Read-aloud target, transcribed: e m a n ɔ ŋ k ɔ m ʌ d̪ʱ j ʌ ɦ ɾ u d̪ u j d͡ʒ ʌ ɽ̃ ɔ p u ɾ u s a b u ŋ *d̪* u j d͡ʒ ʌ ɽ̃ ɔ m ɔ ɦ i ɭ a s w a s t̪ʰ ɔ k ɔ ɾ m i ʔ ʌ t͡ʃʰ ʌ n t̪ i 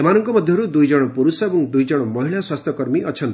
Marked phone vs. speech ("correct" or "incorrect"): correct